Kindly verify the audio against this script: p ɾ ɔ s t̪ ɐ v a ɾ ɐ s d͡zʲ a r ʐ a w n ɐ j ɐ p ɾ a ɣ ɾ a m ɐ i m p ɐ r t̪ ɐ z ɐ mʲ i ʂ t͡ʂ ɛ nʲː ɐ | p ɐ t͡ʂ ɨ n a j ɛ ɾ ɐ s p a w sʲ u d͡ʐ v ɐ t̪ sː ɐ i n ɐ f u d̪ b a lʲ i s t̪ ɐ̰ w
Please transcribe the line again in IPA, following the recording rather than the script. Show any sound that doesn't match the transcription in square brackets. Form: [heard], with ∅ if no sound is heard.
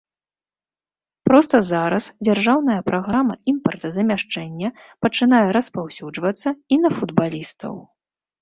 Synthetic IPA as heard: p ɾ ɔ s t̪ ɐ [z] a ɾ ɐ s d͡zʲ a r ʐ a w n ɐ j ɐ p ɾ a ɣ ɾ a m ɐ i m p ɐ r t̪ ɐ z ɐ mʲ [a] ʂ t͡ʂ ɛ nʲː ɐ | p ɐ t͡ʂ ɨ n a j ɛ ɾ ɐ s p a w sʲ u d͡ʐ v ɐ t̪ sː ɐ i n ɐ f u d̪ b a lʲ i s t̪ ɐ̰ w